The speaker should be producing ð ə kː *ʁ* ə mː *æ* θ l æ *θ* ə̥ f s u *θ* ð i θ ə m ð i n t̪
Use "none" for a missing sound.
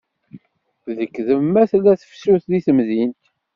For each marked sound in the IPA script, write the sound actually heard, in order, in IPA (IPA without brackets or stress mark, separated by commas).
ð, æ, θ, θ